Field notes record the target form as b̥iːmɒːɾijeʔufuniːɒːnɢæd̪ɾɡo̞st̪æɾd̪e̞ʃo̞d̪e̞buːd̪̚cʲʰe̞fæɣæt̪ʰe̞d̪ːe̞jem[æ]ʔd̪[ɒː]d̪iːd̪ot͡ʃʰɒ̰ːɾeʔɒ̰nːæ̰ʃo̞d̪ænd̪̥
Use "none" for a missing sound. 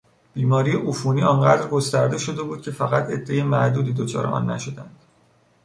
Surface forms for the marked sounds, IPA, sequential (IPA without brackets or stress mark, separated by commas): æ, uː